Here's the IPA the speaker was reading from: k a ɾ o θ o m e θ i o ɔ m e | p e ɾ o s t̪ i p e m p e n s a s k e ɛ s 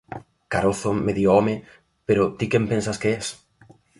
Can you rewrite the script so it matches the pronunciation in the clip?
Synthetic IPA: k a ɾ o θ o m e ð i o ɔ m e | p e ɾ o t̪ i k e m p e n s a s k e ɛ s